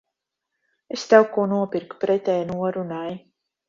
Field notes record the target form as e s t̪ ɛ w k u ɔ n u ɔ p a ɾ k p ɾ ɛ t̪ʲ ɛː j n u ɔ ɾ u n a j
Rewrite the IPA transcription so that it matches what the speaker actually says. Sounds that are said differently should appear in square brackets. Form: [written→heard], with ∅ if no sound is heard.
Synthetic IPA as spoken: e s t̪ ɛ w k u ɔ n u ɔ p [a→i] ɾ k p ɾ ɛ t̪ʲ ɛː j n u ɔ ɾ u n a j